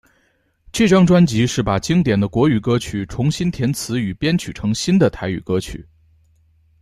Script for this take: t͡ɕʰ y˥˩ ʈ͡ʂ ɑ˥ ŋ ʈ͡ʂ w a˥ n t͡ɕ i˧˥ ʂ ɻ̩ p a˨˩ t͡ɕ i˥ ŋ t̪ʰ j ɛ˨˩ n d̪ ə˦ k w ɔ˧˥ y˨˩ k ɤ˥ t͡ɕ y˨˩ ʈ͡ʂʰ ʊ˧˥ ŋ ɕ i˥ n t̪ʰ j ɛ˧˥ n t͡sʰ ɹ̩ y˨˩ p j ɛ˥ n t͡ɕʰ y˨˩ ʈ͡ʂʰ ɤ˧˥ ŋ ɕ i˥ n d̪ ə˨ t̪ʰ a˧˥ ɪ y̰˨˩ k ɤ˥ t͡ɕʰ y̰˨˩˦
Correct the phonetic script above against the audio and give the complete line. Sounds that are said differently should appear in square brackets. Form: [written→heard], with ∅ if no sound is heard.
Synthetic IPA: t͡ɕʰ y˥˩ ʈ͡ʂ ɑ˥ ŋ ʈ͡ʂ w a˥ n t͡ɕ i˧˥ ʂ ɻ̩ p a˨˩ t͡ɕ i˥ ŋ [t̪ʰ→t̪] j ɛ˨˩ n d̪ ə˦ k w ɔ˧˥ y˨˩ k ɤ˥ [t͡ɕ→t͡ɕʰ] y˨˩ ʈ͡ʂʰ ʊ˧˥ ŋ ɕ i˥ n t̪ʰ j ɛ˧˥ n t͡sʰ ɹ̩ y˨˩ p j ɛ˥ n t͡ɕʰ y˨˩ ʈ͡ʂʰ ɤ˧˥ ŋ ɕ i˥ n d̪ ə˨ t̪ʰ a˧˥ ɪ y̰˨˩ k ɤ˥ t͡ɕʰ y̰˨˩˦